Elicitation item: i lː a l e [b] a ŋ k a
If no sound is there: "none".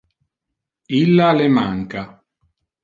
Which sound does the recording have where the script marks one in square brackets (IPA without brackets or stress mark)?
m